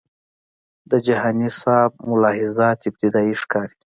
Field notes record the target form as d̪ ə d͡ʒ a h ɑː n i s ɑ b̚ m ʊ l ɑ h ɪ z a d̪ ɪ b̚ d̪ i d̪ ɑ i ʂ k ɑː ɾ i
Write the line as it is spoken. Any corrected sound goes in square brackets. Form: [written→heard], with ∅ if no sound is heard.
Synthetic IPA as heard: d̪ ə d͡ʒ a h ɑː n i s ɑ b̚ m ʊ l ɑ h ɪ z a [d̪→t̪] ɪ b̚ [d̪→t̪] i d̪ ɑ i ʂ k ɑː ɾ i